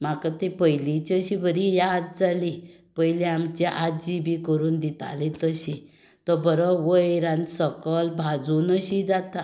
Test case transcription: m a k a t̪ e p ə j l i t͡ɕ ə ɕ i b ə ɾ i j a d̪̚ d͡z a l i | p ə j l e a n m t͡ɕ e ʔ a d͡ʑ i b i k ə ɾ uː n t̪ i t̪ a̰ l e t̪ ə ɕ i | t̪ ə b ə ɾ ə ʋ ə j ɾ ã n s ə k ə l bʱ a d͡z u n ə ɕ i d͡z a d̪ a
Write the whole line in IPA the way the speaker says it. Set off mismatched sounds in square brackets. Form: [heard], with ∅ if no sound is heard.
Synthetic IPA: m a k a t̪ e p ə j l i t͡ɕ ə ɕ i b ə ɾ i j a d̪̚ d͡z a l i | p ə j l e a [∅] m t͡ɕ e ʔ a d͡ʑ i b i k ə ɾ uː n [d̪] i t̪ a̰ l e t̪ ə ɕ i | t̪ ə b ə ɾ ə ʋ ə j ɾ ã n s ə k ə l bʱ a d͡z u n ə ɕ i d͡z a [t̪] a